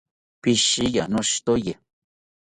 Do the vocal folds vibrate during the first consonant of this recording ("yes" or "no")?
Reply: no